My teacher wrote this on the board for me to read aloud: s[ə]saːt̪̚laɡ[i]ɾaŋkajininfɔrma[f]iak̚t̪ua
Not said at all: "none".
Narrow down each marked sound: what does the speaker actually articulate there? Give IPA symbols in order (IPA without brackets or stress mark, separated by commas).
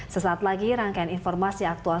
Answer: ə, i, s